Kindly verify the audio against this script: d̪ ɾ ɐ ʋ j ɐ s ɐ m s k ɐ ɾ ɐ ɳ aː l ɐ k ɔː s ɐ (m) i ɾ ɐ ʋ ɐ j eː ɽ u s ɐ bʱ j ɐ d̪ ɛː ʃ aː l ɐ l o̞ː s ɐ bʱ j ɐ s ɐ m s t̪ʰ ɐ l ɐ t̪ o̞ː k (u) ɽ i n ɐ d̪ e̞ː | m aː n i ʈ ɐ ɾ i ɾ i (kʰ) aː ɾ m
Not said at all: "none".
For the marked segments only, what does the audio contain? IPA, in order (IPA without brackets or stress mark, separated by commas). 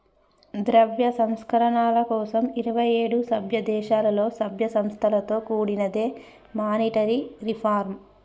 m, uː, pʰ